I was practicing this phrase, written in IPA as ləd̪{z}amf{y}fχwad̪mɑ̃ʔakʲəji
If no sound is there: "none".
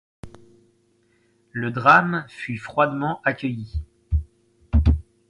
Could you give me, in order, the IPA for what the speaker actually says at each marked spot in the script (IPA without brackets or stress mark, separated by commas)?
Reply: ʁ, y